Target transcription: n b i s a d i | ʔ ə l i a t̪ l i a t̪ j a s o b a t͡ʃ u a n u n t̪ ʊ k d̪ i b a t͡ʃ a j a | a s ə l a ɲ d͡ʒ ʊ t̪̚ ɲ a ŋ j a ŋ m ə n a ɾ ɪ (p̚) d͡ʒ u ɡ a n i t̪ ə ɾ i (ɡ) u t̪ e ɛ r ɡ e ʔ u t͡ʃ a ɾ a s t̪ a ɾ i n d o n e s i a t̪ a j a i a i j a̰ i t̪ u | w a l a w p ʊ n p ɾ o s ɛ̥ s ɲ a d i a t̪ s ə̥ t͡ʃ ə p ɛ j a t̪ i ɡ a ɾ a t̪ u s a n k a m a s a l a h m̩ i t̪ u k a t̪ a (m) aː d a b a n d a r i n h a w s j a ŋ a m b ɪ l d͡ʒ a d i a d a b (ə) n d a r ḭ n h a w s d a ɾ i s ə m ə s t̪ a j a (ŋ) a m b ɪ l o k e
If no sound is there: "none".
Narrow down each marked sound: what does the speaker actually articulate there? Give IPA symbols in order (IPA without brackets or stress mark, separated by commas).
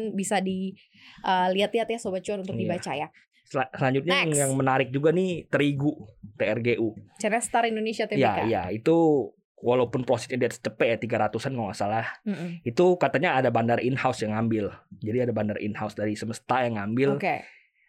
k̚, ɡ, ɲ, a, ŋ